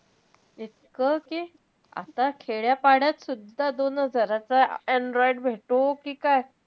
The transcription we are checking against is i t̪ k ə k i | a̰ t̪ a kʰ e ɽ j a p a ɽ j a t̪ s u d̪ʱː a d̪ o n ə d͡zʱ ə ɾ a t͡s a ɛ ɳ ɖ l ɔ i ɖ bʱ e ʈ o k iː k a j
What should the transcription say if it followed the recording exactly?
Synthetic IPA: i t̪ k ə k i | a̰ t̪ a kʰ e ɭ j a p a ɽ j a t̪ s u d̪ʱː a d̪ o n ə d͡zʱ ə ɾ a t͡s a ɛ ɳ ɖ ɾ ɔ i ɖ bʱ e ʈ o k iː k a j